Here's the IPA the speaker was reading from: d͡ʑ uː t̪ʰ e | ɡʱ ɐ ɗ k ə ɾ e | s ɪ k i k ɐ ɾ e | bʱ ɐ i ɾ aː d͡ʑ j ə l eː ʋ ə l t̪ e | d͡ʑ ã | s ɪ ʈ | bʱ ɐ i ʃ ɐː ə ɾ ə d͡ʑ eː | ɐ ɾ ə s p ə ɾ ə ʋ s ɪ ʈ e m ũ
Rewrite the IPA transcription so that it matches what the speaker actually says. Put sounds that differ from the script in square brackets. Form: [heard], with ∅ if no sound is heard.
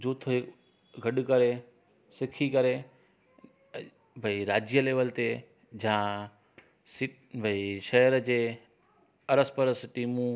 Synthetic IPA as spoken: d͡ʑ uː t̪ʰ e | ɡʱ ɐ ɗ k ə ɾ e | s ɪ [kʰ] i k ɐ ɾ e | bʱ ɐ i ɾ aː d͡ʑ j ə l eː ʋ ə l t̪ e | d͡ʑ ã | s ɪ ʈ | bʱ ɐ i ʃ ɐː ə ɾ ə d͡ʑ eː | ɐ ɾ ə s p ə ɾ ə [∅] s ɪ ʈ [i] m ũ

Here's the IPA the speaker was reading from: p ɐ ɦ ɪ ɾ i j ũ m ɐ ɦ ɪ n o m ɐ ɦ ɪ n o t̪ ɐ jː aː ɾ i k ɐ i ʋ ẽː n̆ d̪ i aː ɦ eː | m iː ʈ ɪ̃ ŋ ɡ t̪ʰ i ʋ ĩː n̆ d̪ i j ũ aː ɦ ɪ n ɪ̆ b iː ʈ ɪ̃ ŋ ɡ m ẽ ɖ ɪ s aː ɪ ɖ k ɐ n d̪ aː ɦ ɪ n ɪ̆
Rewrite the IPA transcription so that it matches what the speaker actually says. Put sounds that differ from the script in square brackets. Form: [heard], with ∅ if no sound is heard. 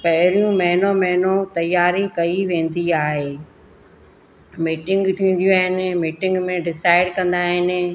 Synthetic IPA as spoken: p ɐ ɦ ɪ ɾ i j ũ m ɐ ɦ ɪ n o m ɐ ɦ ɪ n o t̪ ɐ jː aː ɾ i k ɐ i ʋ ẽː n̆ d̪ i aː ɦ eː | m iː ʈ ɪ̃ ŋ ɡ t̪ʰ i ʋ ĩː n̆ d̪ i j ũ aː ɦ ɪ n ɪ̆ [m] iː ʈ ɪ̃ ŋ ɡ m ẽ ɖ ɪ s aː ɪ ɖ k [ɐ̃] n d̪ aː ɦ ɪ n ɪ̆

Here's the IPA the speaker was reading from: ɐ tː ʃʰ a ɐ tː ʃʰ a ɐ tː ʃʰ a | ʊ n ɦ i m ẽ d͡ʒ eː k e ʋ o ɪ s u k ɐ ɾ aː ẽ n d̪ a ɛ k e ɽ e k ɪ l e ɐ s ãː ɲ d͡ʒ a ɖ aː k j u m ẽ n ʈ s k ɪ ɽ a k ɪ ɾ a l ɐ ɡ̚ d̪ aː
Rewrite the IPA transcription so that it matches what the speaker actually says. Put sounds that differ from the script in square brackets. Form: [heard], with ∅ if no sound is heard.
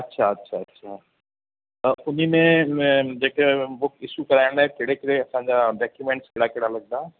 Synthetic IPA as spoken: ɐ tː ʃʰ a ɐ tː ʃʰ a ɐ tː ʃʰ a | ʊ n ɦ i m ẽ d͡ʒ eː k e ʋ o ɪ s u k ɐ ɾ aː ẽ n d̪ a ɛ k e ɽ e k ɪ [ɽ] e ɐ s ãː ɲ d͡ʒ a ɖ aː k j u m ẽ [ɳ] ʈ s k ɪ ɽ a k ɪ [ɽ] a l ɐ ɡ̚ d̪ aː

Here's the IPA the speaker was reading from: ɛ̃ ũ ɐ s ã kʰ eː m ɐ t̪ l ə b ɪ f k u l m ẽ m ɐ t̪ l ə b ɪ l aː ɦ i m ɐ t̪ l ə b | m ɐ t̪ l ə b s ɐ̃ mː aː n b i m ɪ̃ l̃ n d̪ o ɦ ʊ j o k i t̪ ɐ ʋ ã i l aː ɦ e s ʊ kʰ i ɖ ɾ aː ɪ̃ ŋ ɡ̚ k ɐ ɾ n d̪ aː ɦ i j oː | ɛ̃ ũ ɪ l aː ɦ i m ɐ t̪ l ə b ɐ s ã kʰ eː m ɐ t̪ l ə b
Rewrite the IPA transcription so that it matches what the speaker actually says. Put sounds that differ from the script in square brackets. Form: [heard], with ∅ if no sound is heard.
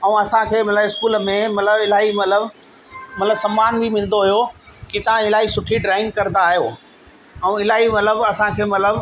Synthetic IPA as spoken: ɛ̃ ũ ɐ s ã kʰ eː m ɐ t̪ l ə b ɪ [s] k [uː] l m ẽ m ɐ t̪ l ə b ɪ l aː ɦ i m ɐ t̪ l ə b | m ɐ t̪ l ə b s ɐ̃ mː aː n b i m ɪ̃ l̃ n d̪ o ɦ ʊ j o k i t̪ ɐ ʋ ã [ɪ] l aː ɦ [i] s ʊ [ʈʰ] i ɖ ɾ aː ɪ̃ ŋ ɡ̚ k ɐ ɾ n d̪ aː ɦ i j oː | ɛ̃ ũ ɪ l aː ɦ i m ɐ t̪ l ə b ɐ s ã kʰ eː m ɐ t̪ l ə b

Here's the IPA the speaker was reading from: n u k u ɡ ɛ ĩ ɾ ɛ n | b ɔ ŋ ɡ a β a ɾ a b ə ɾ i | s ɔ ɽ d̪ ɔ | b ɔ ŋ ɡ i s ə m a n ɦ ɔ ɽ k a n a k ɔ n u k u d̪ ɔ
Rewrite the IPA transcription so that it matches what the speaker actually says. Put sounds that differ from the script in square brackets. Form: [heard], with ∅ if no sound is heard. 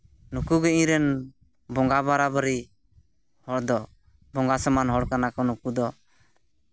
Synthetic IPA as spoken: n u k u ɡ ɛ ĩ ɾ ɛ n | b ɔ ŋ ɡ a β a ɾ a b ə ɾ i | [h] ɔ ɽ d̪ ɔ | b ɔ ŋ ɡ [a] s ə m a n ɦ ɔ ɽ k a n a k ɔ n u k u d̪ ɔ

